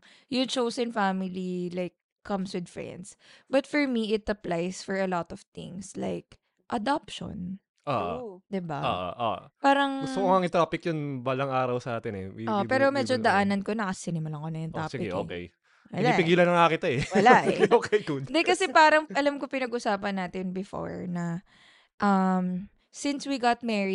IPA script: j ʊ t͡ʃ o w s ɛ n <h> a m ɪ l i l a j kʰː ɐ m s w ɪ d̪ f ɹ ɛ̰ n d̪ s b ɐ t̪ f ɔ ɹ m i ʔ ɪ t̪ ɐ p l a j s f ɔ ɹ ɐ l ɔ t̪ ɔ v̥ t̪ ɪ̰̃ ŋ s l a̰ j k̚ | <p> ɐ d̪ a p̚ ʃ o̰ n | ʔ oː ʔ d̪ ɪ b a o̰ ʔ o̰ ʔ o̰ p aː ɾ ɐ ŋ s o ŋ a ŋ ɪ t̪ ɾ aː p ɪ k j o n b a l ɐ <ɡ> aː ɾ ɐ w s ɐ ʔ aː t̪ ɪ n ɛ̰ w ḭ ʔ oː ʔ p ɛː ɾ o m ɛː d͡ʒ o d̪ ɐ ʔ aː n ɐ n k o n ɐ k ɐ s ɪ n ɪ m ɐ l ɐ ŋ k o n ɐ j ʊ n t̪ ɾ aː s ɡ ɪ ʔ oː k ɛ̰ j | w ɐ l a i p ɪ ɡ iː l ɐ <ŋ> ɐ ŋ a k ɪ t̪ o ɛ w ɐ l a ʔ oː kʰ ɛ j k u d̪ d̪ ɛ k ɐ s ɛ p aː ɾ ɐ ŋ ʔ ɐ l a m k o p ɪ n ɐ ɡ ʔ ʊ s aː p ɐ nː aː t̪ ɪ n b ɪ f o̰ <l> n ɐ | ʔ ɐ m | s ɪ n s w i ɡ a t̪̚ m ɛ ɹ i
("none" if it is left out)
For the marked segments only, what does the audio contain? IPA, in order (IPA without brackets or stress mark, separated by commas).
f, ʔ, ŋ, n, ɹ